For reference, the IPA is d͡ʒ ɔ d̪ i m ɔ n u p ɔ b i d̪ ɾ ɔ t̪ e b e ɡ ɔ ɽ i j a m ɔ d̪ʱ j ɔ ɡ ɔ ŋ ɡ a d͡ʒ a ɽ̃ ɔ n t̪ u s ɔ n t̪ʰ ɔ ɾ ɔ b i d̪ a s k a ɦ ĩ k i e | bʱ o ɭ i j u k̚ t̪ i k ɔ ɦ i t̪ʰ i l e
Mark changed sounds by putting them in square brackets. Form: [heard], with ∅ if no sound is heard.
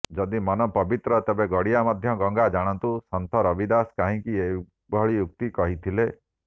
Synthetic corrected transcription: d͡ʒ ɔ d̪ i m ɔ n [ɔ] p ɔ b i [t̪] ɾ ɔ t̪ e b e ɡ ɔ ɽ i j a m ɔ d̪ʱ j ɔ ɡ ɔ ŋ ɡ a d͡ʒ a ɽ̃ ɔ n t̪ u s ɔ n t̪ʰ ɔ ɾ ɔ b i d̪ a s k a ɦ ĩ k i e | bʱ [ɔ] ɭ i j u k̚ t̪ i k ɔ ɦ i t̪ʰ i l e